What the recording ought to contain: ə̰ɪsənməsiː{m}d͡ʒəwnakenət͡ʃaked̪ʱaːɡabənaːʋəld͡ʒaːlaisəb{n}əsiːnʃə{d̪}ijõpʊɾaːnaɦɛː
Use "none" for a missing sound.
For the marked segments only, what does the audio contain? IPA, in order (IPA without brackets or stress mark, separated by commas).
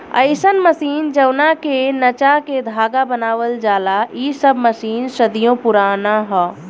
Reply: n, m, d̪